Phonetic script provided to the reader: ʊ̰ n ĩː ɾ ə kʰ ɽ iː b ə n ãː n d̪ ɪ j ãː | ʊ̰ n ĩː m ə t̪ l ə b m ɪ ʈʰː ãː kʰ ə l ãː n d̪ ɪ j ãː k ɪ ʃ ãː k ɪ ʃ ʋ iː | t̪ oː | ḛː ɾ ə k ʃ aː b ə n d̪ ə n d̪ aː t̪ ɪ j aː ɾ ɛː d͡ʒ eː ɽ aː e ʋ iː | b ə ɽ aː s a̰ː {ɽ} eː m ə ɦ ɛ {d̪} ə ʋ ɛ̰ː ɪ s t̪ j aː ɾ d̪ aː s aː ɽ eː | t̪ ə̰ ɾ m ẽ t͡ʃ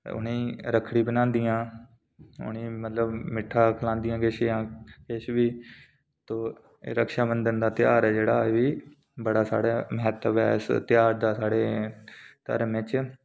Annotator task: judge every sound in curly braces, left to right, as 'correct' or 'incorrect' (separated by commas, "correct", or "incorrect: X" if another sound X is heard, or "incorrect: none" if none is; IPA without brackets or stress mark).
correct, incorrect: t̪